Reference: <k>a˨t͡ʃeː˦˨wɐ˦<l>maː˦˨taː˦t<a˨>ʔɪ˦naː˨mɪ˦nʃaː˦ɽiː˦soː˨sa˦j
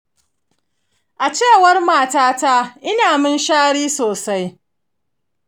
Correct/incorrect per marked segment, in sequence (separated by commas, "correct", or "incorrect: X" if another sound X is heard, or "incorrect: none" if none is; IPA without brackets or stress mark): incorrect: ʔ, incorrect: r, incorrect: a˦